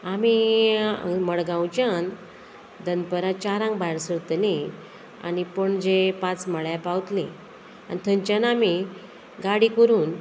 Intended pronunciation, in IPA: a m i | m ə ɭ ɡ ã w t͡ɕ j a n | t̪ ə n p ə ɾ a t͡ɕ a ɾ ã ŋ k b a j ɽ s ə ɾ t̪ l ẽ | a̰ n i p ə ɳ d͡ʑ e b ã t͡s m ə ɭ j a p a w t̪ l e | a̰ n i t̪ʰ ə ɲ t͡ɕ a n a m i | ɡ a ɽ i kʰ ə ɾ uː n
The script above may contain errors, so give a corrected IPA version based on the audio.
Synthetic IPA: a m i | m ə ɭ ɡ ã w t͡ɕ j a n | d̪ ə n p ə ɾ a t͡ɕ a ɾ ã ŋ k b a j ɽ s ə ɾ t̪ l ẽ | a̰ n i p ə ɳ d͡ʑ e p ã t͡s m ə ɭ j a p a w t̪ l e | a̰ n i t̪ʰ ə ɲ t͡ɕ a n a m i | ɡ a ɽ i k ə ɾ uː n